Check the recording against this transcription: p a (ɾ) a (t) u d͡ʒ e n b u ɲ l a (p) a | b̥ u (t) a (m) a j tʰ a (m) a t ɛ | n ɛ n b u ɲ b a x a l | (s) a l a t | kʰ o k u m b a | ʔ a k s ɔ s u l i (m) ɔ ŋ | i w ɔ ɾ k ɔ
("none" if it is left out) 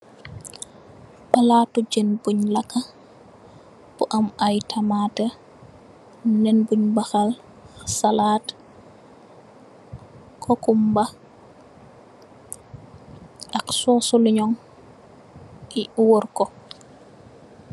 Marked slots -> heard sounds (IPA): l, t, k, ʔ, m, m, s, ɲ

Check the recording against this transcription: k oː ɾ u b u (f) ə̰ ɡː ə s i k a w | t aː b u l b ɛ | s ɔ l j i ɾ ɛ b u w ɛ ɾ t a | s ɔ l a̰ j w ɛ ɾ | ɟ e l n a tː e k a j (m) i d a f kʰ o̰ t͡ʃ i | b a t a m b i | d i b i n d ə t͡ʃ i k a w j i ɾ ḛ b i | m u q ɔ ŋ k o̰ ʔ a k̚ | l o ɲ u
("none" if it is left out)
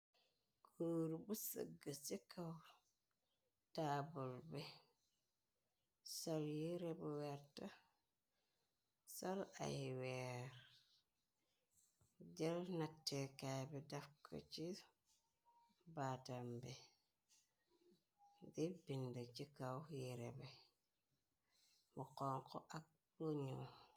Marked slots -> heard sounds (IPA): s, b

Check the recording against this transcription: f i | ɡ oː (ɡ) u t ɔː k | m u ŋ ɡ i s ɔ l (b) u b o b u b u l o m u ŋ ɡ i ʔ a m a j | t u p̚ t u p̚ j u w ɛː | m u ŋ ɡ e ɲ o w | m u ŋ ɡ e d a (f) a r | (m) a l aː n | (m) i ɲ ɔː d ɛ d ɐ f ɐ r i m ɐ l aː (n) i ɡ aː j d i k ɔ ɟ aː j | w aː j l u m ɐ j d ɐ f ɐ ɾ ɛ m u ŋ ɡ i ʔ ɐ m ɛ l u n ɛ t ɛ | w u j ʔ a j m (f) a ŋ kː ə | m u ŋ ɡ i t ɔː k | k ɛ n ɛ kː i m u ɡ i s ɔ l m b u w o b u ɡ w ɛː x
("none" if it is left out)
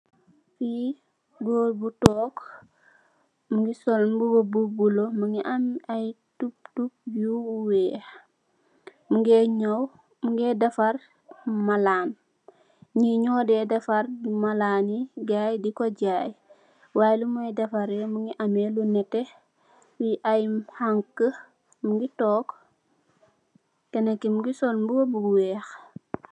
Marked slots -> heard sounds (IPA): b, b, f, m, ɲ, n, h

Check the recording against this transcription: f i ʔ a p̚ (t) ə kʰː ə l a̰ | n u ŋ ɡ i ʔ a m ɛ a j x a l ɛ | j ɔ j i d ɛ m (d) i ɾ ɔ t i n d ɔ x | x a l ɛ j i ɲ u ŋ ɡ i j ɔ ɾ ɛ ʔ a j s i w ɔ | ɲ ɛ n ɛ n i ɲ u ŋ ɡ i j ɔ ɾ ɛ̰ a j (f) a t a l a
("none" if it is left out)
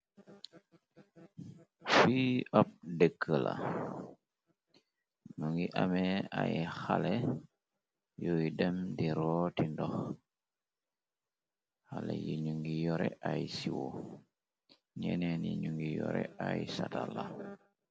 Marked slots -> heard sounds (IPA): d, d, s

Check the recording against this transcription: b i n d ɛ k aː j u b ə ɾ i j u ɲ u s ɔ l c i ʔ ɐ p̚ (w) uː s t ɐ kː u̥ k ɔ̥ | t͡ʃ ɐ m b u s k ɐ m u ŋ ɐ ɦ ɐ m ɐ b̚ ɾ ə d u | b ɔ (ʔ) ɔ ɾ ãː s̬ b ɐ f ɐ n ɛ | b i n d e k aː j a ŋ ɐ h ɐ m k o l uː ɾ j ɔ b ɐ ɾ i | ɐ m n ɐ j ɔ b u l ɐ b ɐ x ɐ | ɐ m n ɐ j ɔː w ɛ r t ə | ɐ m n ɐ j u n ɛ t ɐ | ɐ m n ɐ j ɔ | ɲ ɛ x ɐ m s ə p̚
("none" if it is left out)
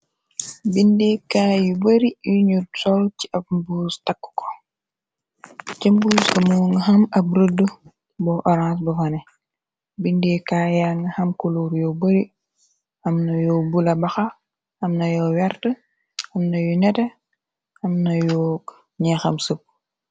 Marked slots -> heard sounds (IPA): b, ʔ

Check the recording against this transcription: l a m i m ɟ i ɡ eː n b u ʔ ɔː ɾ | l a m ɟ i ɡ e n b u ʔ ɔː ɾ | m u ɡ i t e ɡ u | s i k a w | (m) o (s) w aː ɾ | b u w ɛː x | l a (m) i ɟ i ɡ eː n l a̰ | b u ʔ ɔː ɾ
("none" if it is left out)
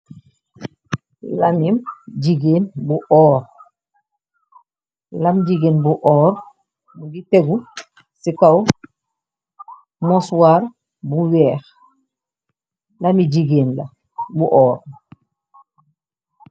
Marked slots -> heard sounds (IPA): m, s, m

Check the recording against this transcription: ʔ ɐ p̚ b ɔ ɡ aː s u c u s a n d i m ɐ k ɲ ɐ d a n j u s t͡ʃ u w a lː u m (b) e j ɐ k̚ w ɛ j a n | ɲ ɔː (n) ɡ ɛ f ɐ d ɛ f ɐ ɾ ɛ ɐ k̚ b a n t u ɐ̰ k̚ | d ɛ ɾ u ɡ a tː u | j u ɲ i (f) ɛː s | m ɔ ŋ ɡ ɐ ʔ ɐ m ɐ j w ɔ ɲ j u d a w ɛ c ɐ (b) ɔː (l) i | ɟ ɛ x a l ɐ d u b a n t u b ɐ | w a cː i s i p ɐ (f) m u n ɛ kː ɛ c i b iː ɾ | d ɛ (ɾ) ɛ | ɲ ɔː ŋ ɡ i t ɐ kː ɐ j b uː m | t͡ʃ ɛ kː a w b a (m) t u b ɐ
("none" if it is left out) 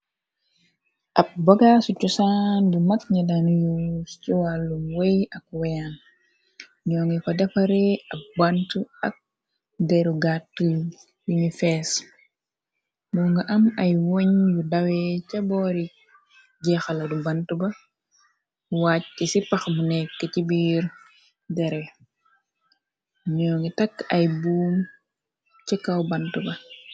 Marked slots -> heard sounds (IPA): w, ŋ, f, b, ɾ, x, ɾ, n

